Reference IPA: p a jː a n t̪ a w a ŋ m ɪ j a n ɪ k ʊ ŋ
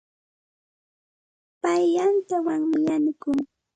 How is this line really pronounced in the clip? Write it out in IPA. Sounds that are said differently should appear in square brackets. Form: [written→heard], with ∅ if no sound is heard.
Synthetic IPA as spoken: p a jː a n t̪ a w a ŋ m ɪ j a n ɪ k ʊ ŋ